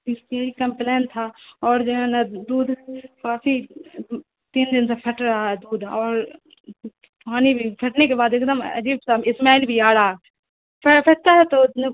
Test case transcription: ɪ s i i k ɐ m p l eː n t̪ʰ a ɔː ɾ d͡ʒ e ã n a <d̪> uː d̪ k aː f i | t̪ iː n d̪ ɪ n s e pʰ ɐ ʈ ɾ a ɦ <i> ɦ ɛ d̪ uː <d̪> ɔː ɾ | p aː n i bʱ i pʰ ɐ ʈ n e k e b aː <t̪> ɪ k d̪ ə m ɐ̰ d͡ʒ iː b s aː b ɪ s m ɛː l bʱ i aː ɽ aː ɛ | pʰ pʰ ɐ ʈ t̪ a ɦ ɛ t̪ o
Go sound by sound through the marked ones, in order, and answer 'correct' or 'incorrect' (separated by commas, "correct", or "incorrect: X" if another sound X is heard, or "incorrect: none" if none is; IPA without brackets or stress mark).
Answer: correct, incorrect: a, correct, incorrect: d̪